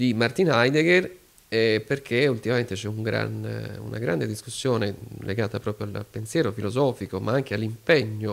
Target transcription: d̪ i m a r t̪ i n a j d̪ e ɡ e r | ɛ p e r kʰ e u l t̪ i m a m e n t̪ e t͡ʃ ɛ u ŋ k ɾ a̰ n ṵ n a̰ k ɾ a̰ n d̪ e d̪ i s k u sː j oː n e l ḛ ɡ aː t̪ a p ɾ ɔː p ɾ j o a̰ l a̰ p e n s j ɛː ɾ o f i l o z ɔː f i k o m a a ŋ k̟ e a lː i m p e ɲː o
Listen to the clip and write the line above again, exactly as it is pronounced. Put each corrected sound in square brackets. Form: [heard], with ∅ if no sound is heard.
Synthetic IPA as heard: d̪ i m a r t̪ i n a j d̪ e ɡ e r | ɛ p e r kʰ e u l t̪ i m a m e n t̪ e t͡ʃ ɛ u ŋ [ɡ] ɾ a̰ n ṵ n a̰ [ɡ] ɾ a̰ n d̪ e d̪ i s k u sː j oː n e l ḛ ɡ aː t̪ a p ɾ ɔː p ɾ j o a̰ l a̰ p e n s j ɛː ɾ o f i l o z ɔː f i k o m a a ŋ k̟ e a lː i m p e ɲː o